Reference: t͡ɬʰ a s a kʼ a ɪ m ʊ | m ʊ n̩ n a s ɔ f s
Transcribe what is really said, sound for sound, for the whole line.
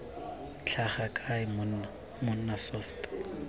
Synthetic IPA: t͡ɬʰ a χ a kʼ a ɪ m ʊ | m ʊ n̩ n a s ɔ f t